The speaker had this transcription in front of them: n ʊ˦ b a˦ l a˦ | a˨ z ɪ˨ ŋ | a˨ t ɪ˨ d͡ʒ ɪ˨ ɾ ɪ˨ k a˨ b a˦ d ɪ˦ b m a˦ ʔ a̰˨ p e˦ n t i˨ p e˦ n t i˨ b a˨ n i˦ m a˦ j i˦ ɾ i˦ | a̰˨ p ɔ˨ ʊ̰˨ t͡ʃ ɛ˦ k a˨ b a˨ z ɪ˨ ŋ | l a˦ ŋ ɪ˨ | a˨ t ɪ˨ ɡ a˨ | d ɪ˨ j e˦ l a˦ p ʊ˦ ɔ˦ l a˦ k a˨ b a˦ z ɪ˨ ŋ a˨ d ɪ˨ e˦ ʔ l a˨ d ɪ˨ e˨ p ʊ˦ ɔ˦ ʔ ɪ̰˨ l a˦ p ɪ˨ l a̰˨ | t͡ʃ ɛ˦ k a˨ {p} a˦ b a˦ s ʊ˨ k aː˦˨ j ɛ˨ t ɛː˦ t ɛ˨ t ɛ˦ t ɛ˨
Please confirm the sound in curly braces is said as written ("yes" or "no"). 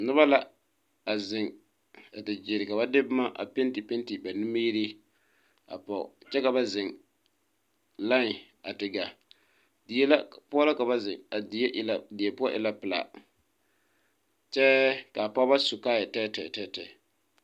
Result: yes